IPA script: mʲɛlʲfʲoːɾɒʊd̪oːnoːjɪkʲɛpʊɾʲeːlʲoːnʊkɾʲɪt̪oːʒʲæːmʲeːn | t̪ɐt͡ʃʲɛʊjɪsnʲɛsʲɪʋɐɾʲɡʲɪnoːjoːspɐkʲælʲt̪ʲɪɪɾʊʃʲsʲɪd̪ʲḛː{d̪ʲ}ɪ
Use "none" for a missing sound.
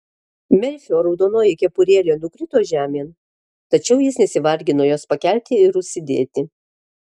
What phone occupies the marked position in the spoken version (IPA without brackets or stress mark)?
t̪ʲ